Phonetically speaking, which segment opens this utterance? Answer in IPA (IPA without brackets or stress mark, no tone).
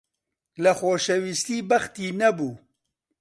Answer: l